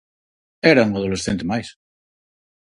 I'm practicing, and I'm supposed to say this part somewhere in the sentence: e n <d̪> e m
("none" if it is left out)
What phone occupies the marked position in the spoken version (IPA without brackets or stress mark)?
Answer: t̪